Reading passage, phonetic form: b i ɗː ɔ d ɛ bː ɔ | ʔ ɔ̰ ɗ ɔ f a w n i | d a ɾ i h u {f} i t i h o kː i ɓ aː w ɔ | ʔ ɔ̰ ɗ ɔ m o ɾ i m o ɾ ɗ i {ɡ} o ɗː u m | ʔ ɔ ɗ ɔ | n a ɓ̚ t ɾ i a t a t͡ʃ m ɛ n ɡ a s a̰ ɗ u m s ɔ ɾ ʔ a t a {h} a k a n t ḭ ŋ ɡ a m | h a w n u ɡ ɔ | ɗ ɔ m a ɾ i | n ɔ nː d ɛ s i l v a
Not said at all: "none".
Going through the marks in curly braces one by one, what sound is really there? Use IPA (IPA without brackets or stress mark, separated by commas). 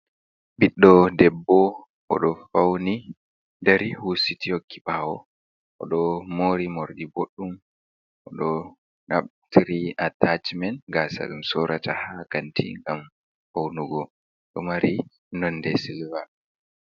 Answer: s, b, h